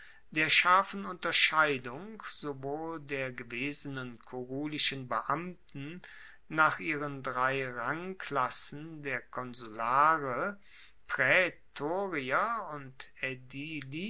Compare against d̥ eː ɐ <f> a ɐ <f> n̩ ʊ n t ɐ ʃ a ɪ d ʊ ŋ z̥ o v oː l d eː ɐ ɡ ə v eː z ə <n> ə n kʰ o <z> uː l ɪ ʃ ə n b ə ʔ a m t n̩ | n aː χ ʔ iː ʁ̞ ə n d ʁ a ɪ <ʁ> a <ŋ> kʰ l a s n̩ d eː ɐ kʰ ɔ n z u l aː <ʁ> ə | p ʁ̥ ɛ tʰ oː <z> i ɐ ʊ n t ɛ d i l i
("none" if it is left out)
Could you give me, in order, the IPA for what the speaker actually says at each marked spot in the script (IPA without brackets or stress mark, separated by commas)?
ʃ, f, n, ʁ, ʁ, ŋ, ʁ, ʁ